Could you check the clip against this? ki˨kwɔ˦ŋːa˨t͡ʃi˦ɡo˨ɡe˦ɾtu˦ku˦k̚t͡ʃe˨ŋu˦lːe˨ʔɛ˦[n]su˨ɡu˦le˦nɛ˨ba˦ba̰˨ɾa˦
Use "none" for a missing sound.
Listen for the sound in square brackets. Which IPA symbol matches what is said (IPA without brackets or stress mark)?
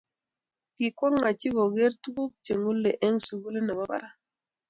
ŋ